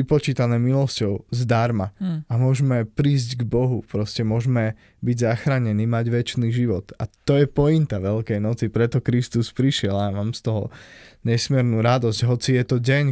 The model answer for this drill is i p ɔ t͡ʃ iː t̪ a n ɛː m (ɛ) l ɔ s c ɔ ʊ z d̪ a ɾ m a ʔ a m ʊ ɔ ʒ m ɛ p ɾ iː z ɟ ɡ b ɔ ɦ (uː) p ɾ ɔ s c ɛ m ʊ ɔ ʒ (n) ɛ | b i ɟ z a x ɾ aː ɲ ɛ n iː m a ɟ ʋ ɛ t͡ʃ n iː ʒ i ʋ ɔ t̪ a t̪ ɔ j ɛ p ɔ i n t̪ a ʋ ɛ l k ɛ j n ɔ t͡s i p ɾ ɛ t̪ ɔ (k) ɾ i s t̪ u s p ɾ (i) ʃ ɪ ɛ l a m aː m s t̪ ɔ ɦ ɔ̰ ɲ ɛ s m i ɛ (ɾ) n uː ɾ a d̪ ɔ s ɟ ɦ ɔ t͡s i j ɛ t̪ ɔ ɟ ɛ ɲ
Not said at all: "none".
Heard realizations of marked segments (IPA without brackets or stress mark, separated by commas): i, u, m, k, i, ɾ